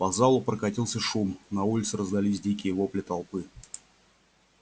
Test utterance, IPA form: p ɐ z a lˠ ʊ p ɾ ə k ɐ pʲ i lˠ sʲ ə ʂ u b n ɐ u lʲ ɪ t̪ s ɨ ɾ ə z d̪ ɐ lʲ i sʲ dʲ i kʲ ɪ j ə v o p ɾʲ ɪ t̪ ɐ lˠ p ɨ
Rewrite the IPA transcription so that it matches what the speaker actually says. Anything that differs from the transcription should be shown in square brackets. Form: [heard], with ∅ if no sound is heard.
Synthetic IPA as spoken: p ɐ z a lˠ ʊ p ɾ ə k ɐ [tʲ] i lˠ sʲ ə ʂ u [m] n ɐ u lʲ ɪ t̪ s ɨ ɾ ə z d̪ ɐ lʲ i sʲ dʲ i kʲ ɪ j ə v o p [lʲ] ɪ t̪ ɐ lˠ p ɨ